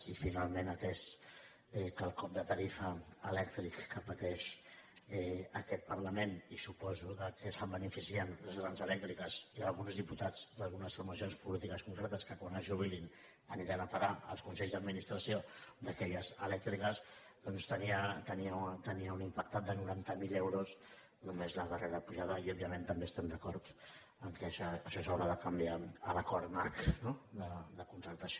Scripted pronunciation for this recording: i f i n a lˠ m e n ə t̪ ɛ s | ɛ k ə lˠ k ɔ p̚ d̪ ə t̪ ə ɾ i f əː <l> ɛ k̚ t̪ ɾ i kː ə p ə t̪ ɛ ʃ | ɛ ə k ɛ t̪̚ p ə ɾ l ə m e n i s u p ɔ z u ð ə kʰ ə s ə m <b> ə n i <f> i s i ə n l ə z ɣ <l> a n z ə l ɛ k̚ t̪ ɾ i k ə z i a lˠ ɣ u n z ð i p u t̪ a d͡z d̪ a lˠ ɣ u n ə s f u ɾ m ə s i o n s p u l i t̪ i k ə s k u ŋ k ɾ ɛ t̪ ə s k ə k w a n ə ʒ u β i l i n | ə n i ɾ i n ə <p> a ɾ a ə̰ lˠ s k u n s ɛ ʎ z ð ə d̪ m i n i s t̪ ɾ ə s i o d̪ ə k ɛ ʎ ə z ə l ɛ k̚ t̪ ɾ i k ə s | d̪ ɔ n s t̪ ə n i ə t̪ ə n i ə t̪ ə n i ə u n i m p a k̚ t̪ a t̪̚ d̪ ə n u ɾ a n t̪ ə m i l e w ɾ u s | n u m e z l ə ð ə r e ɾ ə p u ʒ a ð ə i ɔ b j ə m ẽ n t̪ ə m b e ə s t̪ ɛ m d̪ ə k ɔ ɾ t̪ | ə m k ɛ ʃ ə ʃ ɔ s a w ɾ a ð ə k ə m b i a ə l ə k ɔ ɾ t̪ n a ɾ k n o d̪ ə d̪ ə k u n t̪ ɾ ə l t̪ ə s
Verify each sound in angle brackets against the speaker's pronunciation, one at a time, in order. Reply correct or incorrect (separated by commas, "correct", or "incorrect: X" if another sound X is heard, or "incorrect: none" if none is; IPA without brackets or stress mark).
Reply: correct, correct, correct, incorrect: ɾ, correct